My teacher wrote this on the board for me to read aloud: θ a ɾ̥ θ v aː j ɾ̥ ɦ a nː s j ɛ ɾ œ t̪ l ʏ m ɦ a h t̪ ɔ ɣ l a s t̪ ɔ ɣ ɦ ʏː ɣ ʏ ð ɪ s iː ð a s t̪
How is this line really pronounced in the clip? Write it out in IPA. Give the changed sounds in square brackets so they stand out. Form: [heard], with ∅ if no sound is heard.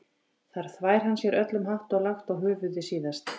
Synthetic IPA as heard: θ a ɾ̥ θ v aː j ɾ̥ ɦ a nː s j ɛ ɾ œ t̪ l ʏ m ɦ a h t̪ ɔ ɣ l a [x] t̪ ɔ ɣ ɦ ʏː [v] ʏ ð ɪ s iː ð a s t̪

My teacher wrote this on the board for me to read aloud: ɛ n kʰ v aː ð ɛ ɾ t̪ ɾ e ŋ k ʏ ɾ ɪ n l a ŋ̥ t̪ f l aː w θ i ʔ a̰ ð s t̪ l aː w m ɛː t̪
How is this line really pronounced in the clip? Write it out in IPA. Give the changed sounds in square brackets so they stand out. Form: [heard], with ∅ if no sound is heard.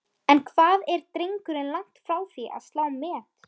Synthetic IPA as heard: ɛ n kʰ v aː ð ɛ ɾ t̪ ɾ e ŋ k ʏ ɾ ɪ n l a ŋ̥ t̪ f [ɾ] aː w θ i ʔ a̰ ð s t̪ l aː w m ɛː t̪

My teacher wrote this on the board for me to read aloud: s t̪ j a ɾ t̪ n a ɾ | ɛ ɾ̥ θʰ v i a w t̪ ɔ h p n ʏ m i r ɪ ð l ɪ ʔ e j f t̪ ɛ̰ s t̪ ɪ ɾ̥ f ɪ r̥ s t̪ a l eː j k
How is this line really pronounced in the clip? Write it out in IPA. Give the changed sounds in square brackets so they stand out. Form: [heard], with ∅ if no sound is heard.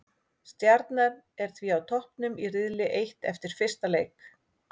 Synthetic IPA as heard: s t̪ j a ɾ t̪ n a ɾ | ɛ ɾ̥ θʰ v i a w [t̪ʰ] ɔ h p n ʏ m i r ɪ ð l ɪ ʔ e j [h] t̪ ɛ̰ [f] t̪ ɪ ɾ̥ f ɪ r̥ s t̪ a l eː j k

